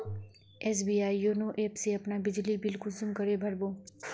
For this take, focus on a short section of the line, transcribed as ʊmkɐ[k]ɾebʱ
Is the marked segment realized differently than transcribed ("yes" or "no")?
yes